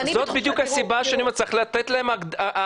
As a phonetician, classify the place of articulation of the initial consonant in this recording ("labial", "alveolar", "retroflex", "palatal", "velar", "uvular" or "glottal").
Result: alveolar